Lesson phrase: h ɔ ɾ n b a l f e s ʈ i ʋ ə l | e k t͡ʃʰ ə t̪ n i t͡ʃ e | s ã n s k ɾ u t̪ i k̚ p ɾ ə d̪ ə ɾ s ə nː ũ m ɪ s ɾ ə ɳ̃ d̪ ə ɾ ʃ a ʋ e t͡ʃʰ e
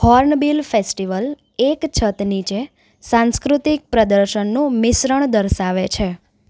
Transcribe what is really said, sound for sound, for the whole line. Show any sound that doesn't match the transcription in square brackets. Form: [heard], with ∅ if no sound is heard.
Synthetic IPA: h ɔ ɾ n b [i] l f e s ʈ i ʋ ə l | e k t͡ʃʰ ə t̪ n i t͡ʃ e | s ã n s k ɾ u t̪ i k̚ p ɾ ə d̪ ə ɾ [ʃ] ə nː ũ m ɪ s ɾ ə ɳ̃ d̪ ə ɾ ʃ a ʋ e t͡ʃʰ e